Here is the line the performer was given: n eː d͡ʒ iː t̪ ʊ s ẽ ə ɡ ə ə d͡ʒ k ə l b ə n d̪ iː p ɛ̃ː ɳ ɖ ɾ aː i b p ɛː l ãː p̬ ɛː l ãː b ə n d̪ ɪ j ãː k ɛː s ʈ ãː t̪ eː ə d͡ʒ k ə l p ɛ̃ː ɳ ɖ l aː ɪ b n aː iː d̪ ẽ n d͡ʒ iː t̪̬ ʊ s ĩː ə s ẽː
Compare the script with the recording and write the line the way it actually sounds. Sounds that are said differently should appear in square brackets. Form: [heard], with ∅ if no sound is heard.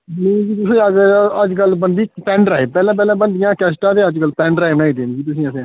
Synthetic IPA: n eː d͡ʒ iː t̪ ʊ s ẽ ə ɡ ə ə d͡ʒ k ə l b ə n d̪ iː p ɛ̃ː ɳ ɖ ɾ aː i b p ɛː l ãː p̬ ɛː l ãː b ə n d̪ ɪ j ãː k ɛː s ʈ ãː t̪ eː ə d͡ʒ k ə l p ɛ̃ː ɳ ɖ [ɾ] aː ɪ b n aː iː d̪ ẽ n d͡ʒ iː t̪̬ ʊ s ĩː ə s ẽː